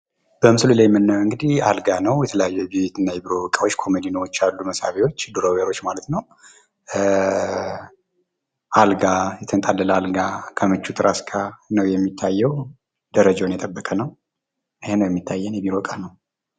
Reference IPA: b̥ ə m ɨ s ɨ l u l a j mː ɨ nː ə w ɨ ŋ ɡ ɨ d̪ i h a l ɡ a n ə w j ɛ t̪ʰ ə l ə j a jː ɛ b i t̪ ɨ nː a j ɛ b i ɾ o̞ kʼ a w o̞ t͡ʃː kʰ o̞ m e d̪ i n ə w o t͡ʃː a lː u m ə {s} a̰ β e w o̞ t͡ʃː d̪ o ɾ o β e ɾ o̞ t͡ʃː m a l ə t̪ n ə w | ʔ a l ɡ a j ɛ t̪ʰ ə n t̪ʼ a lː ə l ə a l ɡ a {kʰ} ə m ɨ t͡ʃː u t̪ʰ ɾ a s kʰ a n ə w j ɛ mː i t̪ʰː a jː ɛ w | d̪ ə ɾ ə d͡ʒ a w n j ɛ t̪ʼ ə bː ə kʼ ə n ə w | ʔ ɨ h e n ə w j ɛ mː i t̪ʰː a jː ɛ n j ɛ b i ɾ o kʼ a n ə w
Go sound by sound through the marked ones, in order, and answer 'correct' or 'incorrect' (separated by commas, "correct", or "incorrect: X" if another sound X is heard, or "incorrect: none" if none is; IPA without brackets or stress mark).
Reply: correct, correct